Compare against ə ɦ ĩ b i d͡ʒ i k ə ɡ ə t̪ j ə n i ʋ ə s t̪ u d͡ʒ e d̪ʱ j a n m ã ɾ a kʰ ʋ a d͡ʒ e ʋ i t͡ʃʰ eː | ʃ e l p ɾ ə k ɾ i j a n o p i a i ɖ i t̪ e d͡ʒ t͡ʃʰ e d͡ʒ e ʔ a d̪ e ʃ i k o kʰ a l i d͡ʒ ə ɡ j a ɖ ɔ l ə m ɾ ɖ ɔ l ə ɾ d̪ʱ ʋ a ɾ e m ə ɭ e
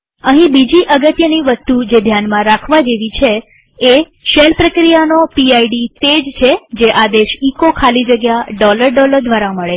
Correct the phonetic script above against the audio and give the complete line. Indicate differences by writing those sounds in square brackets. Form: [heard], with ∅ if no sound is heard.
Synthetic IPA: ə ɦ ĩ b i d͡ʒ i [ʔ] ə ɡ ə t̪ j ə n i ʋ ə s t̪ u d͡ʒ e d̪ʱ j a n m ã ɾ a kʰ ʋ a d͡ʒ e ʋ i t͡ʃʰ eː | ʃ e l p ɾ ə k ɾ i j a n o p i a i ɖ i t̪ e d͡ʒ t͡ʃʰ e d͡ʒ e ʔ a d̪ e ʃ i k o kʰ a l i d͡ʒ ə ɡ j a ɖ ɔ l ə [∅] ɾ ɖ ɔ l ə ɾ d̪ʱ ʋ a ɾ [a] m ə ɭ e